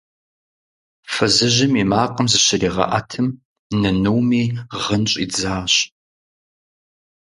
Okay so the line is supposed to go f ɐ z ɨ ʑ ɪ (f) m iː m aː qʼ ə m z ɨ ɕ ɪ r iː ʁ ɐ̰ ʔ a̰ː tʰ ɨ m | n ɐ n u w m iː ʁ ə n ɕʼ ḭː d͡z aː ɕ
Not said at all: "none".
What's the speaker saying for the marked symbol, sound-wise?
none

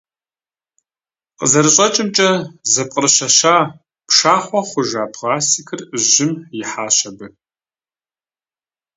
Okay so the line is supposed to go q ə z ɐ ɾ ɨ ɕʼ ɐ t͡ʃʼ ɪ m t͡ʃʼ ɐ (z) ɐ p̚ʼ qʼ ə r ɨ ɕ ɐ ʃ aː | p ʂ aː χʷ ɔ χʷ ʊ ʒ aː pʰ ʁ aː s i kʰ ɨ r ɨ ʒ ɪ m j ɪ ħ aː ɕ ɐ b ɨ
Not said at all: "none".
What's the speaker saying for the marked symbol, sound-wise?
z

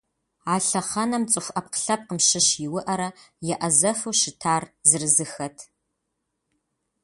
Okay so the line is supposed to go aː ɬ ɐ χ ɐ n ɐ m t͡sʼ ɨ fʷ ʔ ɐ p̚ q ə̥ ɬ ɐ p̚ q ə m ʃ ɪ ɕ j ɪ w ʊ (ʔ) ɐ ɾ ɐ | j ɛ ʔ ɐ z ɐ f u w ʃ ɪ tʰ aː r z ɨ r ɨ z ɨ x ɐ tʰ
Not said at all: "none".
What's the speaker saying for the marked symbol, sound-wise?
ʔ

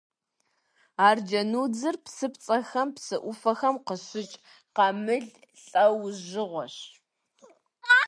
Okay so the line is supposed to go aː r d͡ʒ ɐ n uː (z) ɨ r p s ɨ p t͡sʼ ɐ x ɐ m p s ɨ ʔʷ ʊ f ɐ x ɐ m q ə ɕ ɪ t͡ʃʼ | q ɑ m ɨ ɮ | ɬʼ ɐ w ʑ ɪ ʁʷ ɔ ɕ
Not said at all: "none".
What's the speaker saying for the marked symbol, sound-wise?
d͡z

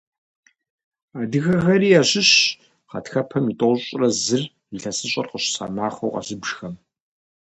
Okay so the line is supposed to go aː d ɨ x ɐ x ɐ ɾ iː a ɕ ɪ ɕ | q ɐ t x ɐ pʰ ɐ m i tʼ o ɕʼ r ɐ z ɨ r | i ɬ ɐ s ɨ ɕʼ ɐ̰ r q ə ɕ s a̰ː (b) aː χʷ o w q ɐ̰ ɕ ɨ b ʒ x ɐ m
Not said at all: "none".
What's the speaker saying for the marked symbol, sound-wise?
m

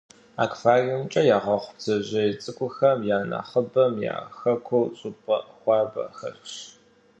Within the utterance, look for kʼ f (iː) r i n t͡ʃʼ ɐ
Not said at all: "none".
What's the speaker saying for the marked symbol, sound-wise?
aː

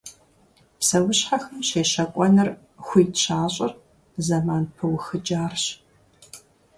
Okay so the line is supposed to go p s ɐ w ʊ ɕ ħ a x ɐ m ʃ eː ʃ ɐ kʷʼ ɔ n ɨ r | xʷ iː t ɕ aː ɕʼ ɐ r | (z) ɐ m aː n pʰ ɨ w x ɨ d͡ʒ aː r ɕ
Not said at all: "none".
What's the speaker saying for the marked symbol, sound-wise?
z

